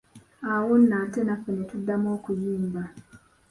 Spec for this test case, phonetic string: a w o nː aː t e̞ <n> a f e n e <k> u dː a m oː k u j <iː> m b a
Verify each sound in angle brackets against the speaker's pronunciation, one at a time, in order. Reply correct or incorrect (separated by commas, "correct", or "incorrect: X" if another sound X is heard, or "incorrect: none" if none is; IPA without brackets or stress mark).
correct, incorrect: t, correct